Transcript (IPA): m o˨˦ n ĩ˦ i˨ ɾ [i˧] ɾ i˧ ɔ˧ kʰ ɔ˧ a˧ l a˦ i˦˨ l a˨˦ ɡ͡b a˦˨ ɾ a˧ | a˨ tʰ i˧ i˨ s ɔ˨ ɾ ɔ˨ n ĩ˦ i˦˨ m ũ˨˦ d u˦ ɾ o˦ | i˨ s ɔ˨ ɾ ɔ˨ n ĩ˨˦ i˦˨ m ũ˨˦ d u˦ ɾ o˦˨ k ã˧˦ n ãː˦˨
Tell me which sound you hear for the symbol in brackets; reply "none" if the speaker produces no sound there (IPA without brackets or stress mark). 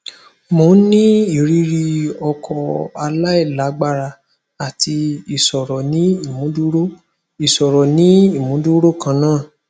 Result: i˧